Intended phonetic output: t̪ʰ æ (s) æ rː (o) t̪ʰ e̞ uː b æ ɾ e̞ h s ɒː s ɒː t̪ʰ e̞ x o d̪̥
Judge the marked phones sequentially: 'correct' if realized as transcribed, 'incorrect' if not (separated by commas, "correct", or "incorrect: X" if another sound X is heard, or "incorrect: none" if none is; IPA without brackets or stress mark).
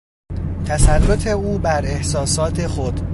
correct, correct